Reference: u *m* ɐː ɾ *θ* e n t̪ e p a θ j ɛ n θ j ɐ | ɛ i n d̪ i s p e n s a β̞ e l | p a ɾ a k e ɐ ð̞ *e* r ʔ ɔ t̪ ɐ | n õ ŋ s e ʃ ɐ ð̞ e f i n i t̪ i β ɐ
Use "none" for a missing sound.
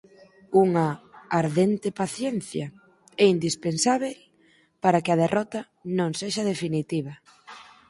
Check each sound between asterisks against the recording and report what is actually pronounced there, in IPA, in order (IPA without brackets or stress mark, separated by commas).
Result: ŋ, ð, e